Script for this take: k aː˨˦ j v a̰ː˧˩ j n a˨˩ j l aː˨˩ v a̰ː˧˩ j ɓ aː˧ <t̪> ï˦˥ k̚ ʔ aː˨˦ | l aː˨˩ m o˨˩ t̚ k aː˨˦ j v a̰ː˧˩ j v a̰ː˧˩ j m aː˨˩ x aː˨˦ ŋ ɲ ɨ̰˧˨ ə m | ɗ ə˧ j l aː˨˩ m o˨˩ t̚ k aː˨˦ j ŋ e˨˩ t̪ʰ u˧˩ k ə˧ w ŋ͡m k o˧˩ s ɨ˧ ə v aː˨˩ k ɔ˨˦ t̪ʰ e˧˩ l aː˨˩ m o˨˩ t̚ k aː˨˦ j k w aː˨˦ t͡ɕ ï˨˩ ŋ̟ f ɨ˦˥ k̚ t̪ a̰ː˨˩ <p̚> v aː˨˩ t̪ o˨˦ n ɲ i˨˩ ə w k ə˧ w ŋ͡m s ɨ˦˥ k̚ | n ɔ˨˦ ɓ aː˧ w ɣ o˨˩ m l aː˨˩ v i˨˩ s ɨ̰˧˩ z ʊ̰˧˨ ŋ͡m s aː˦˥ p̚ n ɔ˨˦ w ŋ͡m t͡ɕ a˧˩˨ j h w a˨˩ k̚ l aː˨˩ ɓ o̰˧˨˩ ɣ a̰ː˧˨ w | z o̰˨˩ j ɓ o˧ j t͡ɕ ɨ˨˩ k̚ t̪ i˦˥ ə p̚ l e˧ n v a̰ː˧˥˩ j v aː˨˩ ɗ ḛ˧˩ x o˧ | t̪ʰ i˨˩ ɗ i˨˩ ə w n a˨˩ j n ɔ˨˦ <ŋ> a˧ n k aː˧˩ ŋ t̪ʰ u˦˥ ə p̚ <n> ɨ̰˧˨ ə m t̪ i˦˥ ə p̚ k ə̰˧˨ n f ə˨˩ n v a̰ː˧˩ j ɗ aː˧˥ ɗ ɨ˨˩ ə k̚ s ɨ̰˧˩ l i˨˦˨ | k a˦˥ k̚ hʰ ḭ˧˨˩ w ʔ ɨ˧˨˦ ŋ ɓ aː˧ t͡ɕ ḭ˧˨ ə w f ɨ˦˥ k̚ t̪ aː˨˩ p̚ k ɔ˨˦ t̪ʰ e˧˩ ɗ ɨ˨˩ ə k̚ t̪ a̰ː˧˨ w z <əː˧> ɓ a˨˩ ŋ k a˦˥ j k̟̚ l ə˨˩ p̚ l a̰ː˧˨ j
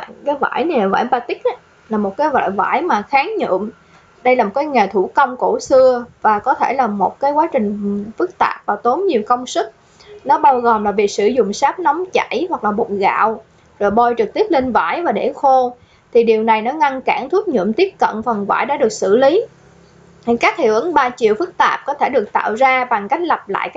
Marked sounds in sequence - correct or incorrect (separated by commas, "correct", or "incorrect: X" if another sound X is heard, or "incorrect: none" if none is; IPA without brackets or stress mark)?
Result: correct, correct, correct, incorrect: ɲ, incorrect: aː˧